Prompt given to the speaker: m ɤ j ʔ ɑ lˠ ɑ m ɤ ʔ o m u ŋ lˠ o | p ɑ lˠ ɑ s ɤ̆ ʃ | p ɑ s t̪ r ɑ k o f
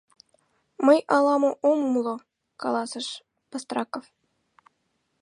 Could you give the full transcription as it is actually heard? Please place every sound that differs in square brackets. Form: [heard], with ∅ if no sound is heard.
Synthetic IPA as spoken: m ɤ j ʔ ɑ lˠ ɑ m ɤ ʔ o m u [m] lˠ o | [k] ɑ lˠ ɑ s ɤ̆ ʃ | p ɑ s t̪ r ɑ k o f